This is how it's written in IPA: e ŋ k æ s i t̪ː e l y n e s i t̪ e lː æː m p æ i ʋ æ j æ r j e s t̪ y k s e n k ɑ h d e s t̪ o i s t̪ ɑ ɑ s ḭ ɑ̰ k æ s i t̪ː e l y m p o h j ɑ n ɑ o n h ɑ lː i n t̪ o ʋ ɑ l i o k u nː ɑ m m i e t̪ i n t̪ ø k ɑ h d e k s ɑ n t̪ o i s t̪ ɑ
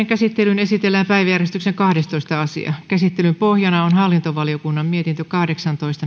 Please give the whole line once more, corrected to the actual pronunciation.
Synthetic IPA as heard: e ŋ k æ s i t̪ː e l y n e s i t̪ e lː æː m p æ i ʋ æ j æ r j e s t̪ y k s e ŋ k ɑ h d e s t̪ o i s t̪ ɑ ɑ s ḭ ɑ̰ k æ s i t̪ː e l y m p o h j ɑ n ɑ o n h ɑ lː i n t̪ o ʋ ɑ l i o k u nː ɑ m m i e t̪ i n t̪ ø k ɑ h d e k s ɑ n t̪ o i s t̪ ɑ

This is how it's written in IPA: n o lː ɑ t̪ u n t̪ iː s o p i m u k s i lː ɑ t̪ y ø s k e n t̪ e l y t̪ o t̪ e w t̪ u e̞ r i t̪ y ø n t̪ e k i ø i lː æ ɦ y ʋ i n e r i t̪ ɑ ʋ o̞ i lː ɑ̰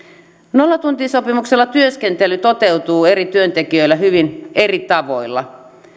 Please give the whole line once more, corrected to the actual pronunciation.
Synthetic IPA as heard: n o lː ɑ t̪ u n t̪ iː s o p i m u k s e lː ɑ t̪ y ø s k e n t̪ e l y t̪ o t̪ e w t̪ uː e̞ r i t̪ y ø n t̪ e k i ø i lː æ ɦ y ʋ i n e r i t̪ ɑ ʋ o̞ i lː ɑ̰

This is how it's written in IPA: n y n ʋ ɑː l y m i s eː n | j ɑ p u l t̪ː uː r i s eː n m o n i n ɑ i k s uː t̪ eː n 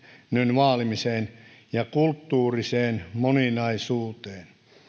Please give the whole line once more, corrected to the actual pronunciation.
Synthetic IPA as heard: n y n ʋ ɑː l i m i s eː n | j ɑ k u l t̪ː uː r i s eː n m o n i n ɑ i s uː t̪ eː n

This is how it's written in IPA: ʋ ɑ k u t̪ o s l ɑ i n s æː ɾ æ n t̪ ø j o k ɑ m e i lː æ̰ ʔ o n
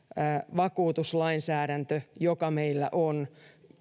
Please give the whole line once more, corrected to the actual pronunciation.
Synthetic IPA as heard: ʋ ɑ k uː t̪ u s l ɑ i n s æː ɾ æ n t̪ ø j o k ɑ m e i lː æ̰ ʔ o n

